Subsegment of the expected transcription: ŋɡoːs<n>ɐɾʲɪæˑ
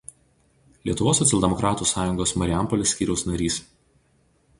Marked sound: incorrect: m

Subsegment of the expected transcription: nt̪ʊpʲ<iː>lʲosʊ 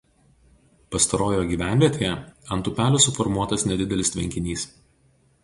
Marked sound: incorrect: æː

